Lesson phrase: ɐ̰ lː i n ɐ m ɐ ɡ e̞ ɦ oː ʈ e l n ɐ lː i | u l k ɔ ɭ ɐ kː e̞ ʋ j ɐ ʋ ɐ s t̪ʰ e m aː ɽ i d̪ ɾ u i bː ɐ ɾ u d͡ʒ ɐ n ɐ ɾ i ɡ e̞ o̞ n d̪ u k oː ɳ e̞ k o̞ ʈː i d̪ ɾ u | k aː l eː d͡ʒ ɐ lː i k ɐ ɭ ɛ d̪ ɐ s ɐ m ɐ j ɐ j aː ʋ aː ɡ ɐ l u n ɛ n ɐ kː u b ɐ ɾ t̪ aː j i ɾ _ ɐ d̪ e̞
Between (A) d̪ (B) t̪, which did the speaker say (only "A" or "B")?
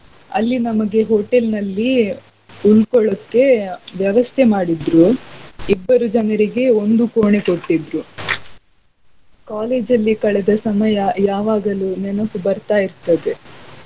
B